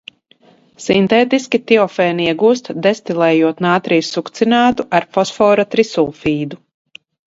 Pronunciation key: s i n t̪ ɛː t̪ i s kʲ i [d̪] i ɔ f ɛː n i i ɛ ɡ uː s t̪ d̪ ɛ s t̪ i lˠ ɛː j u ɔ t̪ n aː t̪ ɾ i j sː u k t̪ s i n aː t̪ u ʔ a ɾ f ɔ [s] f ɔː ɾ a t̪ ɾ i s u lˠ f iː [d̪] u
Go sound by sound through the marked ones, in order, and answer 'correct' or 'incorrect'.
incorrect, correct, correct

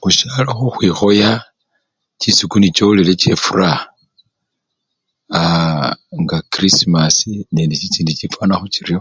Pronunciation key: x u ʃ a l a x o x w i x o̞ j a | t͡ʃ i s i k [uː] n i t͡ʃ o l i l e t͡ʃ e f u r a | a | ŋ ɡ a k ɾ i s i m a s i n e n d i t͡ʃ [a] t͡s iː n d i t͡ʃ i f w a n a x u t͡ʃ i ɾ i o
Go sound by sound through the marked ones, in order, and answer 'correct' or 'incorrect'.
incorrect, incorrect

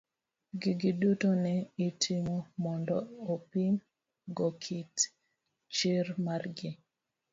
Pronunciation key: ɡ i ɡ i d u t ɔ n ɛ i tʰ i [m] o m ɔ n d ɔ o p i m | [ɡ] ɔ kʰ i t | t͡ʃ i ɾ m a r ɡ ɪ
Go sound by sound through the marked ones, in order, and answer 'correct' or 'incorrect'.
correct, correct

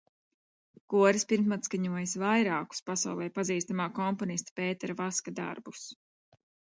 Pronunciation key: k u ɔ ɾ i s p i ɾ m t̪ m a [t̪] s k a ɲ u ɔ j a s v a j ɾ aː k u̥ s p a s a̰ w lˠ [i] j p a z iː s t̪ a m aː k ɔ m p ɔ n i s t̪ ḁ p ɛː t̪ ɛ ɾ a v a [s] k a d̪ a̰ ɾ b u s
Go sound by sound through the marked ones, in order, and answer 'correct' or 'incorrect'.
correct, incorrect, correct

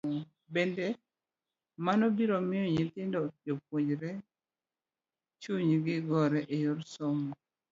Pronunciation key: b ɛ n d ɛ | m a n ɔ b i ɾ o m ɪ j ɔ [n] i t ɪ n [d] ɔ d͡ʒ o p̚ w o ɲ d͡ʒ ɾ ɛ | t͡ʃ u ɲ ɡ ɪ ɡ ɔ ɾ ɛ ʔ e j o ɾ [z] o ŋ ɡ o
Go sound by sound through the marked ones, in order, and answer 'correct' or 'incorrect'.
incorrect, correct, incorrect

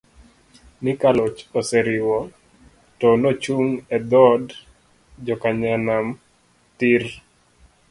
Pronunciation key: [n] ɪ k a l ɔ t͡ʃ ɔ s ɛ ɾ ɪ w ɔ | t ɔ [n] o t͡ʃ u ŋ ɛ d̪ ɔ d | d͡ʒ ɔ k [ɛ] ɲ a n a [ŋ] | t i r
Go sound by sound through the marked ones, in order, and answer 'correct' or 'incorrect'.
correct, correct, incorrect, incorrect

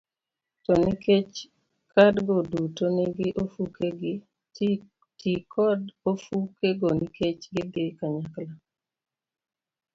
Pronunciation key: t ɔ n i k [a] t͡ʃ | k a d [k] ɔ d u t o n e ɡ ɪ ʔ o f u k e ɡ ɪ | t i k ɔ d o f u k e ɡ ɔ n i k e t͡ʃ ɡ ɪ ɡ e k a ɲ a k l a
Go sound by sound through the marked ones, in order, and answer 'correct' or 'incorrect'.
incorrect, incorrect

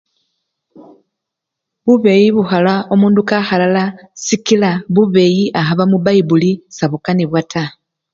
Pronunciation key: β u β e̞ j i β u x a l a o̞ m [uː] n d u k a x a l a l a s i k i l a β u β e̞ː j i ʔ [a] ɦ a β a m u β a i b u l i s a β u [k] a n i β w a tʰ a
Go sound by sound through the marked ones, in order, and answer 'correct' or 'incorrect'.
correct, correct, correct

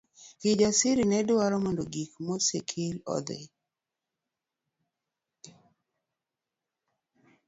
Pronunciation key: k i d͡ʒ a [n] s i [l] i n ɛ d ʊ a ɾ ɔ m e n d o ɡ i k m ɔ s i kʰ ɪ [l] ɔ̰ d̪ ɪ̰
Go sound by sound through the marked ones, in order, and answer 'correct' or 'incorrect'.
incorrect, incorrect, correct

